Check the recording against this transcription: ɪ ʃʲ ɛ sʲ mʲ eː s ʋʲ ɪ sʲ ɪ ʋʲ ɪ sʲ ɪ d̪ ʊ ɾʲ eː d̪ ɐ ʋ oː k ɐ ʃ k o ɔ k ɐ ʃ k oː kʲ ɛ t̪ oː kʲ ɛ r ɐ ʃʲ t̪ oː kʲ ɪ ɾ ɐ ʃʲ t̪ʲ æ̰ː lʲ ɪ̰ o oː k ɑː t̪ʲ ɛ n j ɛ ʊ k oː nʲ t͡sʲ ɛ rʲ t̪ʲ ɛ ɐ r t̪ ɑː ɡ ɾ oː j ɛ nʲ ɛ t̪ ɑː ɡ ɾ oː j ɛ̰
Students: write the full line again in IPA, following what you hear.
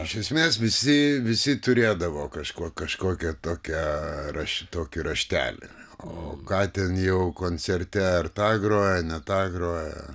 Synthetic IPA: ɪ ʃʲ ɛ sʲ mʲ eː s ʋʲ ɪ sʲ ɪ ʋʲ ɪ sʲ ɪ t̪ ʊ ɾʲ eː d̪ ɐ ʋ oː k ɐ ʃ k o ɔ k ɐ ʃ k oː kʲ ɛ t̪ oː kʲ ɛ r ɐ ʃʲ t̪ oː kʲ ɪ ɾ ɐ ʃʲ t̪ʲ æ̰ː lʲ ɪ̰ o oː k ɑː t̪ʲ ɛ n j ɛ ʊ k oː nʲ t͡sʲ ɛ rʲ t̪ʲ ɛ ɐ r t̪ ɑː ɡ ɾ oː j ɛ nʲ ɛ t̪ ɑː ɡ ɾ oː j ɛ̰

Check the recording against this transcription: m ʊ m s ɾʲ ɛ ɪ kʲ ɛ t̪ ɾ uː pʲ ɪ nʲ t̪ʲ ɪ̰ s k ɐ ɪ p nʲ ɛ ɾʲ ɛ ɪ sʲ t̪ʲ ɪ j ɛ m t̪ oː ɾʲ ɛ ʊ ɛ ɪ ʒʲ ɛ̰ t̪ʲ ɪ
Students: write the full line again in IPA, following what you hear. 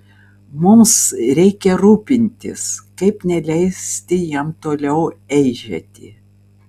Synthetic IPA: m ʊ m s ɾʲ ɛ ɪ kʲ ɛ ɾ uː pʲ ɪ nʲ t̪ʲ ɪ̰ s k ɐ ɪ p nʲ ɛ lʲ ɛ ɪ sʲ t̪ʲ ɪ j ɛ m t̪ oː lʲ ɛ ʊ ɛ ɪ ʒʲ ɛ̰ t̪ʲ ɪ

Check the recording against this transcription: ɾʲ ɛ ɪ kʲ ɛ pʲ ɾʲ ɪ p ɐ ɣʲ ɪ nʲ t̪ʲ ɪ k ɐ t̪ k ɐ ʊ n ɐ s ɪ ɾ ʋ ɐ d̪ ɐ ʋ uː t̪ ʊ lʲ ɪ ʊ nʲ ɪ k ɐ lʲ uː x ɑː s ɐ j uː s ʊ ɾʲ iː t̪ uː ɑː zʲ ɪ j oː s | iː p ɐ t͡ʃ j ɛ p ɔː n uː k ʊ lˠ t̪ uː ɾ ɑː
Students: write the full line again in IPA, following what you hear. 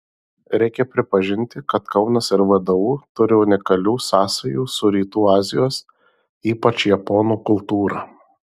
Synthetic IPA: ɾʲ ɛ ɪ kʲ ɛ pʲ ɾʲ ɪ p ɐ ʒʲ ɪ nʲ t̪ʲ ɪ k ɐ t̪ k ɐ ʊ n ɐ s ɪ ɾ ʋ ɐ d̪ ɐ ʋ uː t̪ ʊ ɾʲ ɪ ʊ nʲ ɪ k ɐ lʲ uː s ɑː s ɐ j uː s ʊ ɾʲ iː t̪ uː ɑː zʲ ɪ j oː s | iː p ɐ t͡ʃ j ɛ p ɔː n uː k ʊ lˠ t̪ uː ɾ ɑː

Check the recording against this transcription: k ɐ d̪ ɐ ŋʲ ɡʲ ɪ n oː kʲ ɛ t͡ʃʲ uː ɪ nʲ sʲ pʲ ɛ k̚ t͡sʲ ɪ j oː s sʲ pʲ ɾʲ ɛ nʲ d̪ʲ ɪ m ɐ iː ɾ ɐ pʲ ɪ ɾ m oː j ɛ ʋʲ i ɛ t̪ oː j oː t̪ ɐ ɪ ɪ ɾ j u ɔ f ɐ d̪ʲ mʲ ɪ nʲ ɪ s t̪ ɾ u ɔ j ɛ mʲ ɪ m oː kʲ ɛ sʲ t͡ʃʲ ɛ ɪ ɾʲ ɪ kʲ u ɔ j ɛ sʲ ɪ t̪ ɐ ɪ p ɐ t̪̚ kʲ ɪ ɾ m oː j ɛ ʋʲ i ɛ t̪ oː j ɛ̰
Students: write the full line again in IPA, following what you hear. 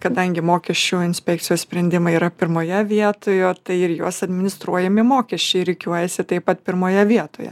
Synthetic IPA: k ɐ d̪ ɐ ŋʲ ɡʲ ɪ m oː kʲ ɛ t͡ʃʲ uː ɪ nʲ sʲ pʲ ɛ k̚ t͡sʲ ɪ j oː s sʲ pʲ ɾʲ ɛ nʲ d̪ʲ ɪ m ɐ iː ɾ ɐ pʲ ɪ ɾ m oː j ɛ ʋʲ i ɛ t̪ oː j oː t̪ ɐ ɪ ɪ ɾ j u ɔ s ɐ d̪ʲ mʲ ɪ nʲ ɪ s t̪ ɾ u ɔ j ɛ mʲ ɪ m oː kʲ ɛ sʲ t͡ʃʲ ɛ ɪ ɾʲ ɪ kʲ u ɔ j ɛ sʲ ɪ t̪ ɐ ɪ p ɐ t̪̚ pʲ ɪ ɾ m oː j ɛ ʋʲ i ɛ t̪ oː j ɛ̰

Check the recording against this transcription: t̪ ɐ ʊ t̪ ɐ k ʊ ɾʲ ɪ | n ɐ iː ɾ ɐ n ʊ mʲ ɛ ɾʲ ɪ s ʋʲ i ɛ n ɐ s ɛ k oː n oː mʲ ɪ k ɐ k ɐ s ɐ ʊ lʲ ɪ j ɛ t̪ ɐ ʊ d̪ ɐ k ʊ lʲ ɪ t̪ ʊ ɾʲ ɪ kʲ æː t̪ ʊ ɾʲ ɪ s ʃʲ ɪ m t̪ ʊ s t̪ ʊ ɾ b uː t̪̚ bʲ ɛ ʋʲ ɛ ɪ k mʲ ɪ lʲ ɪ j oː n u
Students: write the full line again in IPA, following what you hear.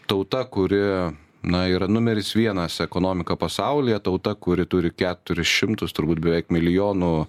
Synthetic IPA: t̪ ɐ ʊ t̪ ɐ k ʊ ɾʲ ɪ | n ɐ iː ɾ ɐ n ʊ mʲ ɛ ɾʲ ɪ s ʋʲ i ɛ n ɐ s ɛ k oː n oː mʲ ɪ k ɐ p ɐ s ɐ ʊ lʲ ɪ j ɛ t̪ ɐ ʊ t̪ ɐ k ʊ ɾʲ ɪ t̪ ʊ ɾʲ ɪ kʲ æː t̪ ʊ ɾʲ ɪ s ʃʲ ɪ m t̪ ʊ s t̪ ʊ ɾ b uː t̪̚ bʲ ɛ ʋʲ ɛ ɪ k mʲ ɪ lʲ ɪ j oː n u

